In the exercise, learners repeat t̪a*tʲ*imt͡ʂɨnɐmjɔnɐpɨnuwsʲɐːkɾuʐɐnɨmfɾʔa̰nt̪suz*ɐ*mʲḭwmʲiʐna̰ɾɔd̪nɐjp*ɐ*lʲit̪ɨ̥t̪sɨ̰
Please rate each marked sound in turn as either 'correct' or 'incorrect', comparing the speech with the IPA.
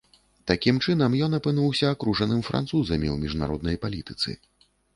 incorrect: kʲ, correct, incorrect: a

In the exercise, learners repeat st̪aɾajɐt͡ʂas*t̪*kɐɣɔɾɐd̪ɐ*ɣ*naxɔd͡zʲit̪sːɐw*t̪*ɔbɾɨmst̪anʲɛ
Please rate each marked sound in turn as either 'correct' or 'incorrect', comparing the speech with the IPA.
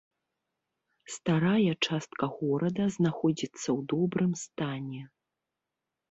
correct, incorrect: z, incorrect: d̪

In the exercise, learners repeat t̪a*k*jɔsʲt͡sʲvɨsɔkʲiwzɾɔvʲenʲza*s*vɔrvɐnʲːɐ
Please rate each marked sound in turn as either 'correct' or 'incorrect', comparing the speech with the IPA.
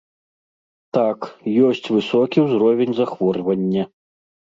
correct, incorrect: x

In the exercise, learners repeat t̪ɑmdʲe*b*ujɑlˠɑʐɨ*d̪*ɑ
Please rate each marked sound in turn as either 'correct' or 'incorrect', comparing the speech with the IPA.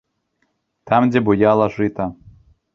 correct, incorrect: t̪

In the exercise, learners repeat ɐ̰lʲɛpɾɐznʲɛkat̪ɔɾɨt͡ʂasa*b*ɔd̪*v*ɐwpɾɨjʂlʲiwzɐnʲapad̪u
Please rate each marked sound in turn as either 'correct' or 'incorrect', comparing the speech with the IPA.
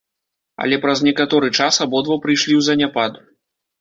correct, correct

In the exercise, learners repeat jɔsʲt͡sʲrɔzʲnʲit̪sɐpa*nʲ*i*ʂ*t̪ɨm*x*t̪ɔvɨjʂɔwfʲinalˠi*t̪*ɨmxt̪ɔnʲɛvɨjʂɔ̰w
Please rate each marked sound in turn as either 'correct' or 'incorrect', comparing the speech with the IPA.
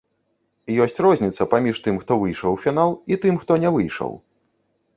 incorrect: mʲ, correct, correct, correct

